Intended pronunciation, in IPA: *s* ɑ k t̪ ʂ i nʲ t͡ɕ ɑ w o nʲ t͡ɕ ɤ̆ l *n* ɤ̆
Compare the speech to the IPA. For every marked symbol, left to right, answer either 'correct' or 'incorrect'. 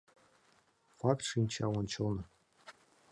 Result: incorrect, correct

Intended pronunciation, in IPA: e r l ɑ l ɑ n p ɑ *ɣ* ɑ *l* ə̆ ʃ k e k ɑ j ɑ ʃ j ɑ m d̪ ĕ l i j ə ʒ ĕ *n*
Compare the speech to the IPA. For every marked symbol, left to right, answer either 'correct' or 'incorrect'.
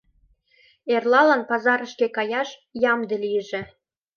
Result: incorrect, incorrect, incorrect

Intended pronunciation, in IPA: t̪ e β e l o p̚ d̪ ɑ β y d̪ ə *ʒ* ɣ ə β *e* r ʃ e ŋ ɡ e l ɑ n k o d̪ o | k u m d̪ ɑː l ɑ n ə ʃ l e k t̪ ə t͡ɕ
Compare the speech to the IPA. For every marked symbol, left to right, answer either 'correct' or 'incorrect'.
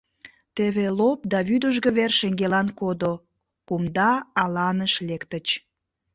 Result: correct, correct

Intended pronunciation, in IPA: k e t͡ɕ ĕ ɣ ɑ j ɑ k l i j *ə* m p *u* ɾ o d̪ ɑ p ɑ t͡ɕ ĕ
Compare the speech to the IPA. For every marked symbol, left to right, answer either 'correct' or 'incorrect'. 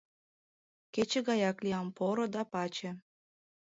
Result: incorrect, incorrect

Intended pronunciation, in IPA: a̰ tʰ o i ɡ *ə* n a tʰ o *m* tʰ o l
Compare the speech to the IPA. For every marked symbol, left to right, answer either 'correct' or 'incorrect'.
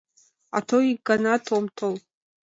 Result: incorrect, correct

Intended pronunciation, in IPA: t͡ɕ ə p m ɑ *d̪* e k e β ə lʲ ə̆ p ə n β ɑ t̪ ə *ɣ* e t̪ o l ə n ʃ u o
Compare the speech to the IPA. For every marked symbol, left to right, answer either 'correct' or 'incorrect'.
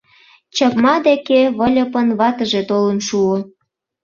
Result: correct, incorrect

